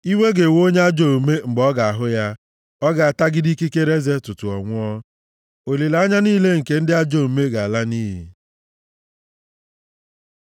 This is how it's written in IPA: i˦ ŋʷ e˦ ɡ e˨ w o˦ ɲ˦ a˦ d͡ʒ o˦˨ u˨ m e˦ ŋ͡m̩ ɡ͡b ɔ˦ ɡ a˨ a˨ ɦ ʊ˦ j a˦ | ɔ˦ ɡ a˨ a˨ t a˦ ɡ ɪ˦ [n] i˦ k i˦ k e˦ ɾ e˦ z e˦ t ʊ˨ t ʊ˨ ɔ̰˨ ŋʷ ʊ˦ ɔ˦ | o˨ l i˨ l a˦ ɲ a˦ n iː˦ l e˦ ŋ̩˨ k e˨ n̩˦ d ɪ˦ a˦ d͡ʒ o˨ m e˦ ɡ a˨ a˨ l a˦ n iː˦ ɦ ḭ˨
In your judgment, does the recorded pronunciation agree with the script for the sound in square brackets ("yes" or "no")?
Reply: no